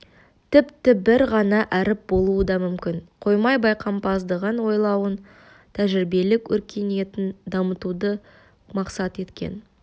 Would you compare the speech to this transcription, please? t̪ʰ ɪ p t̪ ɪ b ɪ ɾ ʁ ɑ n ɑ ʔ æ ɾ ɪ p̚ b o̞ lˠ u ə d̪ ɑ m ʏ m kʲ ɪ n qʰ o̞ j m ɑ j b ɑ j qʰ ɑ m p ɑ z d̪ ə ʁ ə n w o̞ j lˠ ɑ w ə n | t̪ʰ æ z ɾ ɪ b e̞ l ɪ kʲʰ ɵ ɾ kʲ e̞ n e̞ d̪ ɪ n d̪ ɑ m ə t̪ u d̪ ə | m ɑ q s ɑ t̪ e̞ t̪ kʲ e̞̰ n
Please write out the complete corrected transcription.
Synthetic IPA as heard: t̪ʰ ɪ p t̪ ɪ b ɪ ɾ ʁ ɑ n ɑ ʔ æ ɾ ɪ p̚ b o̞ lˠ u ə d̪ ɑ m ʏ m kʲ ɪ n qʰ o̞ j m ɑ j b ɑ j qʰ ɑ m p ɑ z d̪ ə ʁ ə n w o̞ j lˠ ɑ w ə n | t̪ʰ æ ʒ ɾ ɪ b e̞ l ɪ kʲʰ ɵ ɾ kʲ e̞ n e̞ t̪ ɪ n d̪ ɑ m ə t̪ u d̪ ə | m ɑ q s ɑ t̪ e̞ t̪ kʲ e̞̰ n

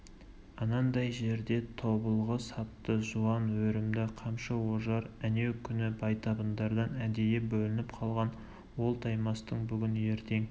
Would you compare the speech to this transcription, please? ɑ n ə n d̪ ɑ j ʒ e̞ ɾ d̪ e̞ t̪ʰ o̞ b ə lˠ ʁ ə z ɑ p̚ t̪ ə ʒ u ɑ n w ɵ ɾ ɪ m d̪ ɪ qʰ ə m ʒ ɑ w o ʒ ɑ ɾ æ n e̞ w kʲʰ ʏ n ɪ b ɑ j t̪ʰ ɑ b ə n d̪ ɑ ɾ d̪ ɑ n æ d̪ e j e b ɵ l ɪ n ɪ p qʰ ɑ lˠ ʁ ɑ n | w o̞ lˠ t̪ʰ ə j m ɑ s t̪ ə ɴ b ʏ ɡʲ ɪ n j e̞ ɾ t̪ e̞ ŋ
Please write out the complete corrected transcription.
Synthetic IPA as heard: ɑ n ɑ n d̪ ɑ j ʒ e̞ ɾ d̪ e̞ t̪ʰ o̞ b ə lˠ ʁ ə s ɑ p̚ t̪ ə ʒ u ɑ n w ɵ ɾ ɪ m d̪ ɪ qʰ ɑ m ʃ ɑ w o ʒ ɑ ɾ æ n e̞ w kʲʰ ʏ n ɪ b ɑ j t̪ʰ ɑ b ə n d̪ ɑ ɾ d̪ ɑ n æ d̪ e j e b ɵ l ɪ n ɪ p qʰ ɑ lˠ ʁ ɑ n | w o̞ lˠ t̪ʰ ɑ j m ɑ s t̪ ə ɴ b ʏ ɡʲ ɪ n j e̞ ɾ t̪ e̞ ŋ

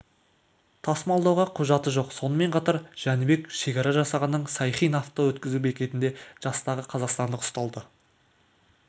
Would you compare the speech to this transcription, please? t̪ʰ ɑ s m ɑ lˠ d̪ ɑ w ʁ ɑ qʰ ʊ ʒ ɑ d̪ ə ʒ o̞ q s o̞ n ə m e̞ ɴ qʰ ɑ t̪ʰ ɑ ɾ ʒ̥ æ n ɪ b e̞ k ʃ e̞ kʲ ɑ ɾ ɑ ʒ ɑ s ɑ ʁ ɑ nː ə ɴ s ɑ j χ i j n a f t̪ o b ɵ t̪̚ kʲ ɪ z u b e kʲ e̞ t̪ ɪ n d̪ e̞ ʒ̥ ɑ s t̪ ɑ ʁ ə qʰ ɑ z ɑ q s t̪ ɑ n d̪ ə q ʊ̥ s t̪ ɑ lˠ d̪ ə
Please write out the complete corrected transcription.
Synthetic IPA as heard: t̪ʰ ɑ s m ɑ lˠ d̪ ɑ w ʁ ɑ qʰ ʊ ʒ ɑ t̪ ə ʒ o̞ q s o̞ n ə m e̞ ɴ qʰ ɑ t̪ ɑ ɾ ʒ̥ æ n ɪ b e̞ k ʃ e̞ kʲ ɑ ɾ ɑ ʒ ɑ s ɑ ʁ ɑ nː ə ɴ s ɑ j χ i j n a f t̪ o w ɵ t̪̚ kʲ ɪ z u b e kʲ e̞ t̪ ɪ n d̪ e̞ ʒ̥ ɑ s t̪ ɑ ʁ ə qʰ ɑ z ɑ q s t̪ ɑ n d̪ ə q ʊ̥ s t̪ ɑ lˠ d̪ ə

